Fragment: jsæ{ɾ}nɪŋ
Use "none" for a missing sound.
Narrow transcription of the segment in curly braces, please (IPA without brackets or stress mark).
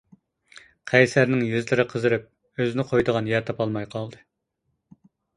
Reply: ɾ